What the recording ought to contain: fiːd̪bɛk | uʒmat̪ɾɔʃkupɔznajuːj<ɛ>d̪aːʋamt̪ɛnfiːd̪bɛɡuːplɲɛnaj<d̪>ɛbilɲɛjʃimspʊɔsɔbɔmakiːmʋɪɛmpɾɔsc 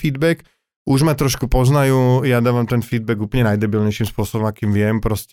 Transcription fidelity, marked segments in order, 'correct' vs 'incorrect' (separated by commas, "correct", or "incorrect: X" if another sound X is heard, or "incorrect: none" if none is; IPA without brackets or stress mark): incorrect: a, correct